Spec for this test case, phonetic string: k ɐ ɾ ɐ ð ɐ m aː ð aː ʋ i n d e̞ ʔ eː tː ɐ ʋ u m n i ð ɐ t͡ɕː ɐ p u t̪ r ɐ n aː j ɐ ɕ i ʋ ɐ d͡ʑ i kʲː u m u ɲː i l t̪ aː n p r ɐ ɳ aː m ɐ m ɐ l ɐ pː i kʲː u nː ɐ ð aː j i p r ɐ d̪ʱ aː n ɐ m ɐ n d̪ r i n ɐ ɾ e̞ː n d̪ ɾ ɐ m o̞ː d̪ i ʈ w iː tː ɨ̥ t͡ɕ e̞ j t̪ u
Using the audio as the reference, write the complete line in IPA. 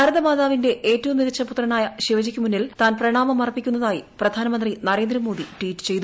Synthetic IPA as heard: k ɐ ɾ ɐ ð ɐ m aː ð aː ʋ i n d e̞ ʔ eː tː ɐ ʋ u m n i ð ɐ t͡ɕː ɐ p u t̪ r ɐ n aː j ɐ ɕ i ʋ ɐ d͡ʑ i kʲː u m u nː i l t̪ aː n p r ɐ ɳ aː m ɐ m ɐ r ɐ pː i kʲː u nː ɐ ð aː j i p r ɐ d̪ʱ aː n ɐ m ɐ n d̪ r i n ɐ ɾ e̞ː n d̪ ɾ ɐ m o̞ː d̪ i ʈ w iː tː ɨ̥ t͡ɕ e̞ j t̪ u

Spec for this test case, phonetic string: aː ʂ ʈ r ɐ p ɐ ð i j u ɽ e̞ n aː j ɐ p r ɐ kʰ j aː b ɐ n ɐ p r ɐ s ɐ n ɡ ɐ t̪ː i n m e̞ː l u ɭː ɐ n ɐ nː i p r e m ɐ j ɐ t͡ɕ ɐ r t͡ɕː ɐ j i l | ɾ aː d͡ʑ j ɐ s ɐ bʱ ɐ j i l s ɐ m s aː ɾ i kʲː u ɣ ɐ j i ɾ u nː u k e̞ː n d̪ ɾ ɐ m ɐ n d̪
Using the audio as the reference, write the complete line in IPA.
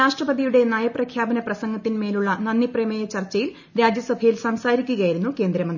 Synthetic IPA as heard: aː ʂ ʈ r ɐ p ɐ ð i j u ɽ e̞ n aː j ɐ p r ɐ kʰ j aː b ɐ n ɐ p r ɐ s ɐ ŋ ɡ ɐ t̪ː i n m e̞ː l u ɭː ɐ n ɐ nː i p r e m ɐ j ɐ t͡ɕ ɐ r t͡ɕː ɐ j i l | ɾ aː d͡ʑ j ɐ s ɐ bʱ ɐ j i l s ɐ m s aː ɾ i kʲː u ɣ ɐ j i ɾ u nː u k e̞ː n d̪ ɾ ɐ m ɐ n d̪

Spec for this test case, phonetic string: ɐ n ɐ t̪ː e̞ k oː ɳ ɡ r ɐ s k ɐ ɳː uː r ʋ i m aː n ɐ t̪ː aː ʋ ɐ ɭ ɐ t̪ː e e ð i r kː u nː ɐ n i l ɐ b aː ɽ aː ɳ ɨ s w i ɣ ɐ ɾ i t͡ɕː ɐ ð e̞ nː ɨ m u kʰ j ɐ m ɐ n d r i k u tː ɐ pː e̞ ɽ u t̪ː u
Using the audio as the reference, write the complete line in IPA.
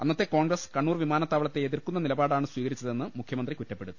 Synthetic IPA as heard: ɐ nː ɐ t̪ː e̞ k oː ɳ ɡ r ɐ s k ɐ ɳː uː r ʋ i m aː n ɐ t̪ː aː ʋ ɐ ɭ ɐ t̪ː e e ð i r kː u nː ɐ n i l ɐ b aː ɽ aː ɳ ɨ s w iː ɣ ɐ ɾ i t͡ɕː ɐ ð e̞ nː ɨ m u kʰ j ɐ m ɐ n d r i k u tː ɐ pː e̞ ɽ u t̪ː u

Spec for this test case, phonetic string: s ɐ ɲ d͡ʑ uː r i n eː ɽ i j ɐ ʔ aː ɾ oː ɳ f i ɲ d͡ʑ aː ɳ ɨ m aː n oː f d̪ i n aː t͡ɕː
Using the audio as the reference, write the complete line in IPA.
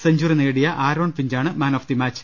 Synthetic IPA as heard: s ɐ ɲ d͡ʑ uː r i n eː ɽ i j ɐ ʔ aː ɾ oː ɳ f i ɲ d͡ʑ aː ɳ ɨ m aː n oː f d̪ i m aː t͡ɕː

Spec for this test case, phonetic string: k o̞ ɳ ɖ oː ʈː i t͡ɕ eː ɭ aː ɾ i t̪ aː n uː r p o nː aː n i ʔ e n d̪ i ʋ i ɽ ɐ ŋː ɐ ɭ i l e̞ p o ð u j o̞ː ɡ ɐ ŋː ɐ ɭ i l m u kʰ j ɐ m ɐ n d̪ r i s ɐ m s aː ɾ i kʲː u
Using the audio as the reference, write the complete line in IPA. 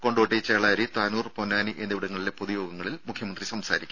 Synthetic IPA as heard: k o̞ ɳ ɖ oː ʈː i t͡ɕ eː ɭ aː ɾ i t̪ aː n uː r p o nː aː n i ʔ e n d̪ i ʋ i ɽ ɐ ŋː ɐ ɭ i l e̞ p o ð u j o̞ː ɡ ɐ ŋː ɐ ɭ i l m u kʰ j ɐ m ɐ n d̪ r i s ɐ m s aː ɾ i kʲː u

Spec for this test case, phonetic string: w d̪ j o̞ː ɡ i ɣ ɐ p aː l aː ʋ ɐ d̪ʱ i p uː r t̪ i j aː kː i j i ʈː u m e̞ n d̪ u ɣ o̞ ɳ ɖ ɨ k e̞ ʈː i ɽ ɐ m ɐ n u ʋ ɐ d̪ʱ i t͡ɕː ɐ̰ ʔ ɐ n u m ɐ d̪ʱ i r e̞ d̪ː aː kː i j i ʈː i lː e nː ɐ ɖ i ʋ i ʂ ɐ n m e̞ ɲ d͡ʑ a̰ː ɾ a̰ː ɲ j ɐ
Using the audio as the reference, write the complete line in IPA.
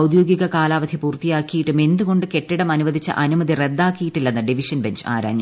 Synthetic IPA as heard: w d̪ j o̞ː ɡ i ɣ ɐ k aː l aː ʋ ɐ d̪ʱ i p uː r t̪ i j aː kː i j i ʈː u m e̞ n d̪ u ɣ o̞ ɳ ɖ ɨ k e̞ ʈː i ɽ ɐ m ɐ n u ʋ ɐ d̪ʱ i t͡ɕː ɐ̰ ʔ ɐ n u m ɐ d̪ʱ i r e̞ d̪ː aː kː i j i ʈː i lː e nː ɐ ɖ i ʋ i ʂ ɐ n b e̞ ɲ d͡ʑ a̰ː ɾ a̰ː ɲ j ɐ

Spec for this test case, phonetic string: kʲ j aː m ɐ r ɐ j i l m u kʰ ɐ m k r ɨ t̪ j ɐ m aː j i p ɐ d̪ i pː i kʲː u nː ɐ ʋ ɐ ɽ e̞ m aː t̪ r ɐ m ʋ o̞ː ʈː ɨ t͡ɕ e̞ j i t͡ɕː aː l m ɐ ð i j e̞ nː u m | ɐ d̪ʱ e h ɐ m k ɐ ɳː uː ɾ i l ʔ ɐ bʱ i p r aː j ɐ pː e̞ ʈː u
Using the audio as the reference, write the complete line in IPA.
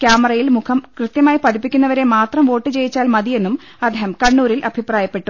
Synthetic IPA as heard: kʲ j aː m ɐ r ɐ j i l m u kʰ ɐ m k r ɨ t̪ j ɐ m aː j i p ɐ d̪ i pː i kʲː u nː ɐ ʋ ɐ ɾ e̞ m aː t̪ r ɐ m ʋ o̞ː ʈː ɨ t͡ɕ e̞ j i t͡ɕː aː l m ɐ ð i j e̞ nː u m | ɐ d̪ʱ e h ɐ m k ɐ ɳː uː ɾ i l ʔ ɐ bʱ i p r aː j ɐ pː e̞ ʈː u

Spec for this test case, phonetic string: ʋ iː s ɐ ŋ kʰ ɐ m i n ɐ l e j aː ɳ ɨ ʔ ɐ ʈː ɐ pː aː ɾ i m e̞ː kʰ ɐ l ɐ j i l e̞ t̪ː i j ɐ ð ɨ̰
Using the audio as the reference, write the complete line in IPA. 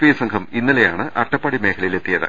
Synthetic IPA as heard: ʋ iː s ɐ ŋ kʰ ɐ m i nː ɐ l e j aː ɳ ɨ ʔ ɐ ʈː ɐ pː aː ɽ i m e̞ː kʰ ɐ l ɐ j i l e̞ t̪ː i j ɐ ð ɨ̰

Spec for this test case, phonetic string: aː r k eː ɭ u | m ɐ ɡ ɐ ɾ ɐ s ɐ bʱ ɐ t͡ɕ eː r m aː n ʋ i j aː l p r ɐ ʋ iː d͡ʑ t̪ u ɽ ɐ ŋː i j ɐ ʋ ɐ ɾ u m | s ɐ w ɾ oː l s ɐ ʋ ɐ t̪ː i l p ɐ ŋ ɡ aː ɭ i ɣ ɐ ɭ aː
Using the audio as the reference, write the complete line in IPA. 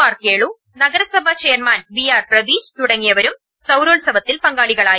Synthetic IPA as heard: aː r k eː ɭ u | n ɐ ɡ ɐ ɾ ɐ s ɐ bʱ ɐ t͡ɕ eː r m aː n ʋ i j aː r p r ɐ ʋ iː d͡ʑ t̪ u ɽ ɐ ŋː i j ɐ ʋ ɐ ɾ u m | s ɐ w ɾ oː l s ɐ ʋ ɐ t̪ː i l p ɐ ŋ ɡ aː ɭ i ɣ ɐ ɭ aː

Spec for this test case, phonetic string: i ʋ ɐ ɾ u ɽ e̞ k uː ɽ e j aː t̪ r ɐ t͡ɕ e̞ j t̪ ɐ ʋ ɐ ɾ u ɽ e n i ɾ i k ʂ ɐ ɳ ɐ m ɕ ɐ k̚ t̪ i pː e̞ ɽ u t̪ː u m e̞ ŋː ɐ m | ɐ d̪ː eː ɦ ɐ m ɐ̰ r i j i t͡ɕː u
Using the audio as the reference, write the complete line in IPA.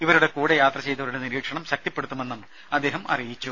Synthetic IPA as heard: i ʋ ɐ ɾ u ɽ e̞ k uː ɽ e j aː t̪ r ɐ t͡ɕ e̞ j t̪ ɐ ʋ ɐ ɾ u ɽ e n i ɾ iː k ʂ ɐ ɳ ɐ m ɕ ɐ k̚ t̪ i pː e̞ ɽ u t̪ː u m e̞ nː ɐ m | ɐ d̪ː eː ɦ ɐ m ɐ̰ r i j i t͡ɕː u

